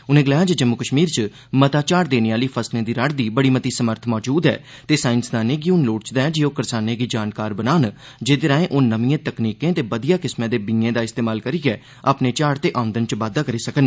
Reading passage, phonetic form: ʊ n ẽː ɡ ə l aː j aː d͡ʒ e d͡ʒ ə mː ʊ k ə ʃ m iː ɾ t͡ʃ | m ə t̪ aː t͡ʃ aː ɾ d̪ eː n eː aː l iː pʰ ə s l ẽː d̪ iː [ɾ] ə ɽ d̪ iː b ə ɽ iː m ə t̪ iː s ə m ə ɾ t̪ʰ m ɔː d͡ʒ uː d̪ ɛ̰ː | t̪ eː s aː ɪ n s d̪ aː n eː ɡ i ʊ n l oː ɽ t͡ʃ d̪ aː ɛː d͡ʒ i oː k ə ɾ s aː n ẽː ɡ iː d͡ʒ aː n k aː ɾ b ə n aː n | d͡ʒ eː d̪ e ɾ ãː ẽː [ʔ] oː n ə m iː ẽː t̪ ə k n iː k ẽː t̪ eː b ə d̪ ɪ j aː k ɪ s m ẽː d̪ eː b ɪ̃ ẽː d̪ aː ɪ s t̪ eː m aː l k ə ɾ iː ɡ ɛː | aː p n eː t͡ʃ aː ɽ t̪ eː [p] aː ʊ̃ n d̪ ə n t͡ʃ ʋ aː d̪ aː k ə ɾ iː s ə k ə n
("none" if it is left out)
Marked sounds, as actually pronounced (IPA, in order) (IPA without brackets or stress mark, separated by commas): ɾ, ʔ, ʔ